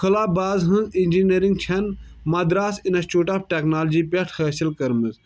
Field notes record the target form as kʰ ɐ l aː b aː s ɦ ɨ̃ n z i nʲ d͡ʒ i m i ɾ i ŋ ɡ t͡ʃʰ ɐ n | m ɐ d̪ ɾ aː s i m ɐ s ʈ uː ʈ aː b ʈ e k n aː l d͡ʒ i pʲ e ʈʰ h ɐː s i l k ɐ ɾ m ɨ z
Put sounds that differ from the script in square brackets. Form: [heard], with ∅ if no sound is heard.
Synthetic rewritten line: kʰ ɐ l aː b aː [z] ɦ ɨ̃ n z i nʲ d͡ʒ i [n] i ɾ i ŋ ɡ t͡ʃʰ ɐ n | m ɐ d̪ ɾ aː s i [n] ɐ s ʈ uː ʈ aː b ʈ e k n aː l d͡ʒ i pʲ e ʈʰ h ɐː s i l k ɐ ɾ m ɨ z